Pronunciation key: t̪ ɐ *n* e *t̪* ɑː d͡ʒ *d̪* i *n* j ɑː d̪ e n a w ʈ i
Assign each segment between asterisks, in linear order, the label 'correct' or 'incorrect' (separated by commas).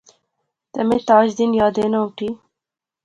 incorrect, correct, correct, correct